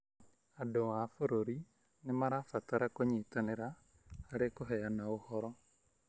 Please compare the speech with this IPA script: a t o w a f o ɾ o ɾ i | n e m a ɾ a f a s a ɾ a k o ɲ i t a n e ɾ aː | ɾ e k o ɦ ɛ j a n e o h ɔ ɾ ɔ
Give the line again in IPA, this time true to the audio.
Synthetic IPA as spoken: a d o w a f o ɾ o ɾ i | n e m a ɾ a f a t a ɾ a k o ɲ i t a n e ɾ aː | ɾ e k o ɦ ɛ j a n a o h ɔ ɾ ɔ